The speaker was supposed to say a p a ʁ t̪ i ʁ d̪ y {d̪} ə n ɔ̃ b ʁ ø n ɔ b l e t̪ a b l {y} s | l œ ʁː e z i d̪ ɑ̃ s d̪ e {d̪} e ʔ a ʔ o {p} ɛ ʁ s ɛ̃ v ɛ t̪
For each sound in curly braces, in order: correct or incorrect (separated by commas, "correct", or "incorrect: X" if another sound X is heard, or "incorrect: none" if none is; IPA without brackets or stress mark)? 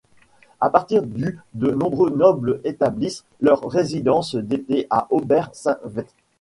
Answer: correct, incorrect: i, incorrect: t̪, incorrect: b